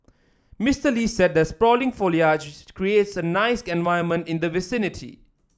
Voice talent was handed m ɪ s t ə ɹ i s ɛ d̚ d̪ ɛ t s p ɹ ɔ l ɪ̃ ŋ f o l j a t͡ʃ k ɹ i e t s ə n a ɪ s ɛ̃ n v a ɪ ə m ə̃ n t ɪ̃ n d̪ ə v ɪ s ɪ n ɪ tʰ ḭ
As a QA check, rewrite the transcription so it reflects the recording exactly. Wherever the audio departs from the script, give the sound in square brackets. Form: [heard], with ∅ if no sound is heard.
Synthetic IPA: m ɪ s t ə [l] i s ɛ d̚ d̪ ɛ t s p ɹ ɔ l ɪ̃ ŋ f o l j a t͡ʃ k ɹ i e t s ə n a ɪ s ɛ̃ n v a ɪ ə m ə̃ n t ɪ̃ n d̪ ə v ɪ s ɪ n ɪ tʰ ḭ

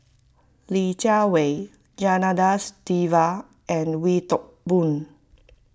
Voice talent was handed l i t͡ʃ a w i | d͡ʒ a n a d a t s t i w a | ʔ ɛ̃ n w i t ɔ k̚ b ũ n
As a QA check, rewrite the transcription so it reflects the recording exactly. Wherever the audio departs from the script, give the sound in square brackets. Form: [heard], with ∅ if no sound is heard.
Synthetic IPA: l i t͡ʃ a w [e] | d͡ʒ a n a d a [∅] s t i [v] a | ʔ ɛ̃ n w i t ɔ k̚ b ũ n

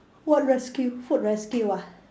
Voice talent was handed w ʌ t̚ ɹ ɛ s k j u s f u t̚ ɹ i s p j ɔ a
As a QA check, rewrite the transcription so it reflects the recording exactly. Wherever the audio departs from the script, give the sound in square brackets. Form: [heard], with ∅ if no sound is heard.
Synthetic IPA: w [ɔ] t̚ ɹ ɛ s k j u [∅] f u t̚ ɹ [ɛ] s [k] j [u] a

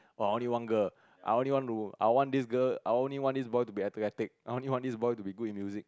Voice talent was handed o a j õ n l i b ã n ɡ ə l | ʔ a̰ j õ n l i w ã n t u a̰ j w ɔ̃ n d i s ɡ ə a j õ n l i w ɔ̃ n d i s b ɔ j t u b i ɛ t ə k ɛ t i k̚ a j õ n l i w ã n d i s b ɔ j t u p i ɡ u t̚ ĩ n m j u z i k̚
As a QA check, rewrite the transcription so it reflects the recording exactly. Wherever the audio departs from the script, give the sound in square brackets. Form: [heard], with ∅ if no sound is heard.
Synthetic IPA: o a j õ n l i [w] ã n ɡ ə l | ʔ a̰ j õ n l i w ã n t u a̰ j w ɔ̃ n d i s ɡ ə a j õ n l i w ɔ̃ n d i s b ɔ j t u b i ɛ t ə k ɛ t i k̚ a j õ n l i w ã n d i s b ɔ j t u [b] i ɡ u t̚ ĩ n m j u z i k̚

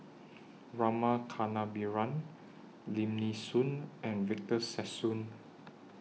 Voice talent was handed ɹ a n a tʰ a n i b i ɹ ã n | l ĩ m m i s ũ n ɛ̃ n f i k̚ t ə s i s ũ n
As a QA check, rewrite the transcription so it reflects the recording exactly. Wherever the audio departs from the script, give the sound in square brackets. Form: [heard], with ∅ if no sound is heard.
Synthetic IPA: ɹ a [m] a [kʰ] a n [a] b i ɹ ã n | l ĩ m [n] i s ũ n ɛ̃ n [v] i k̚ t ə s [ɛ] s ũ n

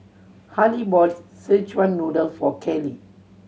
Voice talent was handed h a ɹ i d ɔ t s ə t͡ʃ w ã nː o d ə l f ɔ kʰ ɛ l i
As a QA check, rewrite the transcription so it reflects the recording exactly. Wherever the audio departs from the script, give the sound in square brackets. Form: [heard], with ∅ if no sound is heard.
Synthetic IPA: h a [l] i [b] ɔ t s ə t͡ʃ w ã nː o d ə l f ɔ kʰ ɛ l i

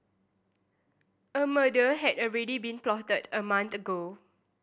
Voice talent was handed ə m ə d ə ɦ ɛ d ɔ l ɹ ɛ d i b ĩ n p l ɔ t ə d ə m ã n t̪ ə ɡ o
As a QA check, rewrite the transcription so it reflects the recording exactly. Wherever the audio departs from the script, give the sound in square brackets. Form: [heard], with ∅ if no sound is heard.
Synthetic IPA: ə m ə d ə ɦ ɛ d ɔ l ɹ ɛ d i b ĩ n p l ɔ t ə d ə m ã n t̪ ə ɡ o

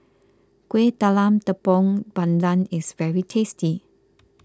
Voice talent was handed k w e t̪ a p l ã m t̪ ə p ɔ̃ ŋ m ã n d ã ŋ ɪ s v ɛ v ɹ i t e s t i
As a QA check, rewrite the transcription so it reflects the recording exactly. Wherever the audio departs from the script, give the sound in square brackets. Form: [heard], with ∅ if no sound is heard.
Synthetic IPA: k w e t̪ a [∅] l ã m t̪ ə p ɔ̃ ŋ [b] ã n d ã [n] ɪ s v ɛ [∅] ɹ i [tʰ] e s t i

